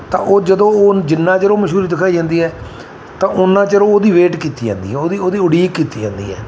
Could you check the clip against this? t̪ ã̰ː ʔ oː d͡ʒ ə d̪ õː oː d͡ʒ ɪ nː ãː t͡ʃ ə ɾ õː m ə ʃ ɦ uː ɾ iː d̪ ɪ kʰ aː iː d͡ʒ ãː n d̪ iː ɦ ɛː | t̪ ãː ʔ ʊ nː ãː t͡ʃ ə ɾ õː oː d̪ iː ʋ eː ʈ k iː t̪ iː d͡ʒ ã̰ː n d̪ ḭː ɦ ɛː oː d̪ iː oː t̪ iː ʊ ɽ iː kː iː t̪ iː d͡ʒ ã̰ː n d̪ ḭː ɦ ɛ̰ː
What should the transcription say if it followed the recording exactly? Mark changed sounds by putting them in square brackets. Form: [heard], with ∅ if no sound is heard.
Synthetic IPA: t̪ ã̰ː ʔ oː d͡ʒ ə d̪ õː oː d͡ʒ ɪ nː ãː t͡ʃ ə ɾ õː m ə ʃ ɦ uː ɾ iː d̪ ɪ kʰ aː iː d͡ʒ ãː n d̪ iː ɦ ɛː | t̪ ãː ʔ ʊ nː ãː t͡ʃ ə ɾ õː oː d̪ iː ʋ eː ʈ k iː t̪ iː d͡ʒ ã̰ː n d̪ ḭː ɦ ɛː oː d̪ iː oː [d̪] iː ʊ ɽ iː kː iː t̪ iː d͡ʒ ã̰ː n d̪ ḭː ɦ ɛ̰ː